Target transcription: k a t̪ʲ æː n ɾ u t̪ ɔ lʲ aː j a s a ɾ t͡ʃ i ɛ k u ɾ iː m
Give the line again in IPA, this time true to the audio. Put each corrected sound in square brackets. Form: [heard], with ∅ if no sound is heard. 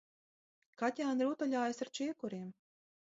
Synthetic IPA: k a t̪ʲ [aː] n ɾ u t̪ ɔ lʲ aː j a s a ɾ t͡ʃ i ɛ k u ɾ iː m